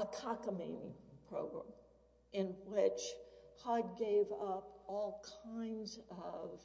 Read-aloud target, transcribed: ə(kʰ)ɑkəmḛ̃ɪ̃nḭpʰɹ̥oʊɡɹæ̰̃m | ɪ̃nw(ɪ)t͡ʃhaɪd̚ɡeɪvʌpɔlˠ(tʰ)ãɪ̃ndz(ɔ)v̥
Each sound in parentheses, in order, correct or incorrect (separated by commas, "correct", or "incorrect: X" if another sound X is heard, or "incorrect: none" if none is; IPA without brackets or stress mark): correct, correct, incorrect: kʰ, incorrect: ʌ